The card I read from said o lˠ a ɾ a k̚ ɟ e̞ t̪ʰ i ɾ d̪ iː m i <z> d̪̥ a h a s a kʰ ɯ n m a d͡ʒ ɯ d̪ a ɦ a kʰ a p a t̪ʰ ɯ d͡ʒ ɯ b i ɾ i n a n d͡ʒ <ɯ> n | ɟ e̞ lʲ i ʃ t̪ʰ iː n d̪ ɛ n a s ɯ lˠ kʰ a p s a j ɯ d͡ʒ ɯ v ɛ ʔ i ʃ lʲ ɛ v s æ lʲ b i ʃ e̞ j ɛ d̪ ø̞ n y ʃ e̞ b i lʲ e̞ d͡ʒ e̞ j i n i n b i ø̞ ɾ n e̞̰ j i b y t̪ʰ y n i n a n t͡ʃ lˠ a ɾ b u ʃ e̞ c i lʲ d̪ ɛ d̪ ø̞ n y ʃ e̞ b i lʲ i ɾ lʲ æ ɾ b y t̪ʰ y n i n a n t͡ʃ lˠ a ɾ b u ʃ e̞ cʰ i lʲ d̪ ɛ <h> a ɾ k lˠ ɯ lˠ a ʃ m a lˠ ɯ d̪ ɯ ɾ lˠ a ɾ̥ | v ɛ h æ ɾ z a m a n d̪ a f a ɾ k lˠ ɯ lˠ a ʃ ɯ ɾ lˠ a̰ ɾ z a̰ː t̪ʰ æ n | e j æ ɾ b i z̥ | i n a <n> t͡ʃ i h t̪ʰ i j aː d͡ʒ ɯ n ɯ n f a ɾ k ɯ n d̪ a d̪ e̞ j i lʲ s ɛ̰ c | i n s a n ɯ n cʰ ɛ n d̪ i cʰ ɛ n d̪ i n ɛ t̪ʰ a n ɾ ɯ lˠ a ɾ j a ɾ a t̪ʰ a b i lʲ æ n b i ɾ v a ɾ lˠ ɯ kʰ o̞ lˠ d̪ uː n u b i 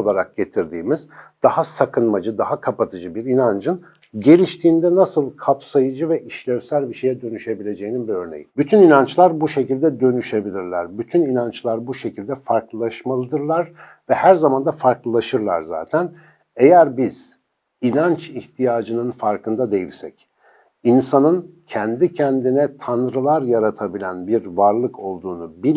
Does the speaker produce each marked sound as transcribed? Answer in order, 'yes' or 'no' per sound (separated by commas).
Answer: yes, yes, no, yes